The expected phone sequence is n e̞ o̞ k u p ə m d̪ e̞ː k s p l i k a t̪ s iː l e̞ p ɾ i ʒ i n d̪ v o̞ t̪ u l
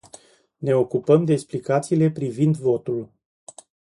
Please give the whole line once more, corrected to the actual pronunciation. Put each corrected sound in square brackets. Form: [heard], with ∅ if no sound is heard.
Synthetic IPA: n e̞ o̞ k u p ə m d̪ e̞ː k s p l i k a t̪ s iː l e̞ p ɾ i [v] i n d̪ v o̞ t̪ u l